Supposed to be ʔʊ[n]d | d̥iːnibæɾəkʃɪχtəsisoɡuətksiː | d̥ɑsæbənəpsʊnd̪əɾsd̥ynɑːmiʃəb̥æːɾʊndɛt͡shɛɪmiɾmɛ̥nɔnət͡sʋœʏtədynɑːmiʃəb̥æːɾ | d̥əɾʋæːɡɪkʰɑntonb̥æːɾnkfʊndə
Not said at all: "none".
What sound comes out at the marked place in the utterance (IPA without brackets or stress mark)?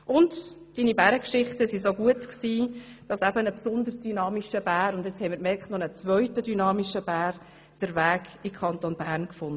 n